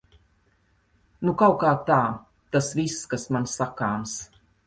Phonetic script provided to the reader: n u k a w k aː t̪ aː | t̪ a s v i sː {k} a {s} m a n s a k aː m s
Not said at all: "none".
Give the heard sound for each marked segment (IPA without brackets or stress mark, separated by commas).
k, s